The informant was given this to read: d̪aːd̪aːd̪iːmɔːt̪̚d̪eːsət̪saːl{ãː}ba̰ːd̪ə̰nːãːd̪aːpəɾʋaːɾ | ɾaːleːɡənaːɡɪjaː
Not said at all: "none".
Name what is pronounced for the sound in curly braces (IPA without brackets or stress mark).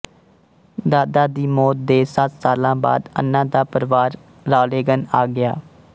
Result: ãː